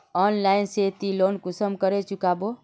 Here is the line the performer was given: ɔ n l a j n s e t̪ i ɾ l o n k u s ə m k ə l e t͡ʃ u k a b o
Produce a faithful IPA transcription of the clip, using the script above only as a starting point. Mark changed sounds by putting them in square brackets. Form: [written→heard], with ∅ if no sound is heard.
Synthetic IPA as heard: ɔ n l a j n s e t̪ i [ɾ→∅] l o n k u s ə m k ə [l→ɾ] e t͡ʃ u k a b o